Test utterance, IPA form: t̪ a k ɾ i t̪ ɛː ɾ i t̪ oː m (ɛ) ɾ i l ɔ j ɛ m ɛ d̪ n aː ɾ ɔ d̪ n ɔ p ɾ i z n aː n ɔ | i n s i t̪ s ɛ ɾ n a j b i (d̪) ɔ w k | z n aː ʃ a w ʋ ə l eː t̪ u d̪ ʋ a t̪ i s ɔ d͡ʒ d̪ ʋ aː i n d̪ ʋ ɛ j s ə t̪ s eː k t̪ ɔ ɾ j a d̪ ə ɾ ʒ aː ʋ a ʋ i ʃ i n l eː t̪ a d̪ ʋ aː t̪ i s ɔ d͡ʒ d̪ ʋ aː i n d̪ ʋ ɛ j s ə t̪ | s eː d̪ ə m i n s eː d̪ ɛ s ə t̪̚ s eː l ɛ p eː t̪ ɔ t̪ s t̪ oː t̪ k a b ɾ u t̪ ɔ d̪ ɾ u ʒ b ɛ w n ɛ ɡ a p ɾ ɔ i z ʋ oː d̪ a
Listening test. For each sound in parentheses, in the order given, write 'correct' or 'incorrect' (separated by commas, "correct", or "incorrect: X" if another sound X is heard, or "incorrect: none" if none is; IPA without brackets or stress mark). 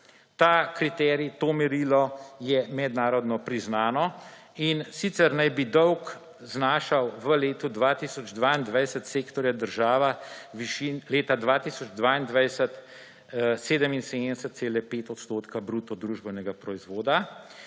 correct, correct